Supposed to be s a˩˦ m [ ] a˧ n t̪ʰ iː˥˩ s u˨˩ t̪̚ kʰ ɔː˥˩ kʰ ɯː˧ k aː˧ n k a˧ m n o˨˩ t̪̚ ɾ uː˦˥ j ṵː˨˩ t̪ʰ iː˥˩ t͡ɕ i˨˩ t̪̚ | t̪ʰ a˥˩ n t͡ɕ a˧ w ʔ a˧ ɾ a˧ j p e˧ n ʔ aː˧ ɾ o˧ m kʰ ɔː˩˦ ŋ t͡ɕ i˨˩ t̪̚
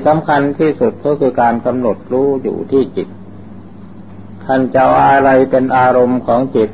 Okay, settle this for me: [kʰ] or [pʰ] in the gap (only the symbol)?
kʰ